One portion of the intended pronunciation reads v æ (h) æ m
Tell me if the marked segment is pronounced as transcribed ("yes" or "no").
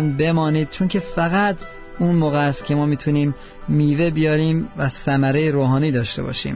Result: no